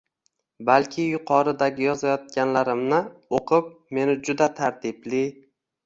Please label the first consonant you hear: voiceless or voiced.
voiced